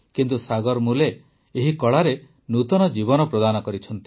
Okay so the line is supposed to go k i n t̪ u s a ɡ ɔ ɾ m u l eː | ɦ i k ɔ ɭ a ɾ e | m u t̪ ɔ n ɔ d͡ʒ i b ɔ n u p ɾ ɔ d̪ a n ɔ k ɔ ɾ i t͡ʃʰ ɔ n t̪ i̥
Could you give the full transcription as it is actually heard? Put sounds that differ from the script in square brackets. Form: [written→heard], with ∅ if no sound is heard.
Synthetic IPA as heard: k i n t̪ u s a ɡ ɔ ɾ m u l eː | ɦ i k ɔ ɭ a ɾ e | [m→n] u t̪ ɔ n ɔ d͡ʒ i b ɔ n [u→ɔ] p ɾ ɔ d̪ a n ɔ k ɔ ɾ i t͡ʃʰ ɔ n t̪ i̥